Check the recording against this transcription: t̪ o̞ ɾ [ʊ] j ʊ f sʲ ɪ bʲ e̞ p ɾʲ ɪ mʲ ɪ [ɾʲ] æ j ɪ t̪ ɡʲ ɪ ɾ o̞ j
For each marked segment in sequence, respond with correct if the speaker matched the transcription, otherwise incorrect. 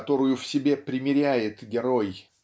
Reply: correct, correct

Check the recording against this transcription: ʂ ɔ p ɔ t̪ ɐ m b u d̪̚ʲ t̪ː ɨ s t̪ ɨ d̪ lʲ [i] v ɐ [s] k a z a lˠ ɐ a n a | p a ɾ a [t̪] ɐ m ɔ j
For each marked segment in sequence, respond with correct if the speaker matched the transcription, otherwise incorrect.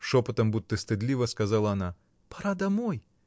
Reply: correct, correct, incorrect

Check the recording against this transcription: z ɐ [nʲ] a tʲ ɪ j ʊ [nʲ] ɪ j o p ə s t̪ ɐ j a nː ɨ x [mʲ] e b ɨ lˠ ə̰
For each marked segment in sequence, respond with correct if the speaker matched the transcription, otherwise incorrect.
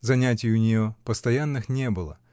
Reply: correct, correct, incorrect

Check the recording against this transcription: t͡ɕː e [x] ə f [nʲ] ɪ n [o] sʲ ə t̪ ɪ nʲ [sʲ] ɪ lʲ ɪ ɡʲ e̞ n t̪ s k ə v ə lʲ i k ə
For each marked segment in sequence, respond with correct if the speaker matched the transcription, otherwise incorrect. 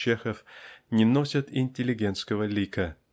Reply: correct, correct, correct, incorrect

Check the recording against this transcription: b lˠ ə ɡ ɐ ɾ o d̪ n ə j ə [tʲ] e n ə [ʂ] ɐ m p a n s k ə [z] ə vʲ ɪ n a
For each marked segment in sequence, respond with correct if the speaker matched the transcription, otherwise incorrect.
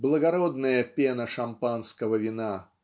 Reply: incorrect, correct, incorrect

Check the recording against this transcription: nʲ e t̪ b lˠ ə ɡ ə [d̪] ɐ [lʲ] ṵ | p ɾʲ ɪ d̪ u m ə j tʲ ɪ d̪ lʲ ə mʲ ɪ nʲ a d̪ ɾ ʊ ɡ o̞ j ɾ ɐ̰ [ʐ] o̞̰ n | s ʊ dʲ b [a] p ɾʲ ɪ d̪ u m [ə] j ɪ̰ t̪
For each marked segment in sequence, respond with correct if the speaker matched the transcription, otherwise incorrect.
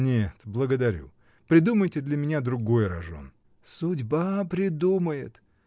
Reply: correct, incorrect, correct, correct, correct

